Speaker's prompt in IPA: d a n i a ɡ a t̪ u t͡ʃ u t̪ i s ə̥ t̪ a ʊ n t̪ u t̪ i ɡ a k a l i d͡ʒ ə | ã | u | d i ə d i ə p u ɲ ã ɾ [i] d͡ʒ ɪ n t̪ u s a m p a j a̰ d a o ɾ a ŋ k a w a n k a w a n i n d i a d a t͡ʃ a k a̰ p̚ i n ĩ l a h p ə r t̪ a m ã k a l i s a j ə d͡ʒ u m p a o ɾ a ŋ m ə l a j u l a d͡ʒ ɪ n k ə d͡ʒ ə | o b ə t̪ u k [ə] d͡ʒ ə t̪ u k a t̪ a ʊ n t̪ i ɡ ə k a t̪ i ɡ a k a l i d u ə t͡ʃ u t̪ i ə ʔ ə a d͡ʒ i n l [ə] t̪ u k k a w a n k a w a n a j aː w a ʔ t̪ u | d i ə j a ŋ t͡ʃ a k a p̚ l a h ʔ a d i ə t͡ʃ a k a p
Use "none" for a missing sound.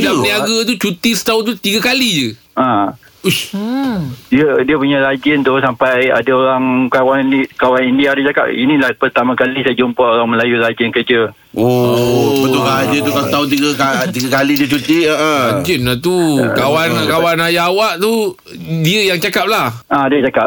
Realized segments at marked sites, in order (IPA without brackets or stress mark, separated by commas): a, a, a